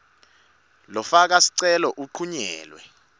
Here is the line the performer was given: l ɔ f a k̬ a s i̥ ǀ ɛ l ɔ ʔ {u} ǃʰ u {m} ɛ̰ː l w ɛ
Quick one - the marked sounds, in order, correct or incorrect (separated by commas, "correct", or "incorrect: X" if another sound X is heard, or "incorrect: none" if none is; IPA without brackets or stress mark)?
correct, incorrect: ɲ